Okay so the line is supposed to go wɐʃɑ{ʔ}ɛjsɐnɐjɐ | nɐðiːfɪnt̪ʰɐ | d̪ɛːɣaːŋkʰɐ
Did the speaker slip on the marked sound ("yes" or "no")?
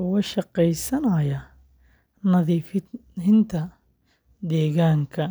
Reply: yes